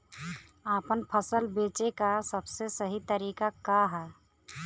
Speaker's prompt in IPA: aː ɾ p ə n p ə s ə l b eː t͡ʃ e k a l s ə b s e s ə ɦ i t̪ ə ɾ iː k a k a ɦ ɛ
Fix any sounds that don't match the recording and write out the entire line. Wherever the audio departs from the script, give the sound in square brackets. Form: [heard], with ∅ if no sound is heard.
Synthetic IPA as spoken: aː [∅] p ə n [pʰ] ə s ə l b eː t͡ʃ e k a [∅] s ə b s e s ə ɦ i t̪ ə ɾ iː k a k a ɦ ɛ